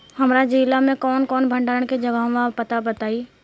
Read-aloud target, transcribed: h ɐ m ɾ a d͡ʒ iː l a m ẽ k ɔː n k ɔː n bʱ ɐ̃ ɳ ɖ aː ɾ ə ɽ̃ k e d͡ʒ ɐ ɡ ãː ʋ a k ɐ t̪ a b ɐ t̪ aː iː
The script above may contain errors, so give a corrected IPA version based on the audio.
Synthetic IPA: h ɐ m ɾ a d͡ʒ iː l a m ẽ k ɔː n k ɔː n bʱ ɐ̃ ɳ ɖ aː ɾ ə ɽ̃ k e d͡ʒ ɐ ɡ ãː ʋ a p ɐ t̪ a b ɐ t̪ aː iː